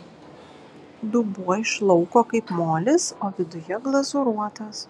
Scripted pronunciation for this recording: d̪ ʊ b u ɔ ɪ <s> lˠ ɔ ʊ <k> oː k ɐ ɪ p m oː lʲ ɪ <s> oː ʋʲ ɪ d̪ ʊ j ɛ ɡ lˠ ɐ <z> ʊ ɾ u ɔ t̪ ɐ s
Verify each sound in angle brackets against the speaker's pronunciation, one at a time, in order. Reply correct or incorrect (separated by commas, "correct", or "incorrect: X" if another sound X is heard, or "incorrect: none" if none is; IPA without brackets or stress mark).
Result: incorrect: ʃ, correct, correct, correct